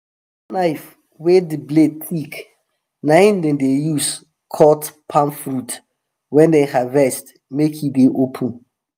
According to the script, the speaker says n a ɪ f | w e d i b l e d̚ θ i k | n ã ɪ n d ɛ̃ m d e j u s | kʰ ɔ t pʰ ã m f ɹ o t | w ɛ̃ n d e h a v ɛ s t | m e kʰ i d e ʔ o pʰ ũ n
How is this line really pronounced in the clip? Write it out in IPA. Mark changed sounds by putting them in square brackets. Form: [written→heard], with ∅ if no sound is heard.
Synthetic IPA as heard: n a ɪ f | w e d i b l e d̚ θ i k | n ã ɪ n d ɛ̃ [m→n] d e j u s | kʰ ɔ t pʰ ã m f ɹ [o→u] t | w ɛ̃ n d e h a v ɛ s t | m e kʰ i d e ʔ o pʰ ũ n